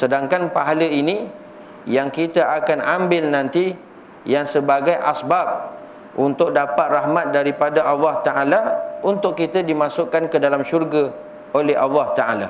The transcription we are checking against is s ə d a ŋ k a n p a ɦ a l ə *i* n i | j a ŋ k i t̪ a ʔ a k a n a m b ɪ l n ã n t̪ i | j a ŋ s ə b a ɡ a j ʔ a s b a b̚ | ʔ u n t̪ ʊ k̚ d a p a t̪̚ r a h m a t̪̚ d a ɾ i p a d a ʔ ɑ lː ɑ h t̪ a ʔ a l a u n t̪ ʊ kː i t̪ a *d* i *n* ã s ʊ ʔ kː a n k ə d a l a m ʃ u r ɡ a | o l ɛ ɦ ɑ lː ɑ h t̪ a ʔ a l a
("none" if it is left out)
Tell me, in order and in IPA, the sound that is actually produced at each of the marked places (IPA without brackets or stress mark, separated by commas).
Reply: i, d, m